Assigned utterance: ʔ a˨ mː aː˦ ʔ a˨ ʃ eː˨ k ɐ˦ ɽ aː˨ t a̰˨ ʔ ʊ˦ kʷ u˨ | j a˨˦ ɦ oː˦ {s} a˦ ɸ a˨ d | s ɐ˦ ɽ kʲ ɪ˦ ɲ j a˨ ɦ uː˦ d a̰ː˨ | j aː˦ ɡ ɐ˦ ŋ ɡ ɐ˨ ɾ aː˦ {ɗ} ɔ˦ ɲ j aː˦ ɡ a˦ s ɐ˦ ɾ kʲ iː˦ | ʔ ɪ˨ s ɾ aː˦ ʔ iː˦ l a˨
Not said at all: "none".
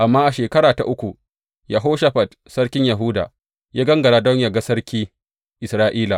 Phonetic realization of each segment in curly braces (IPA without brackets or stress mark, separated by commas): ʃ, d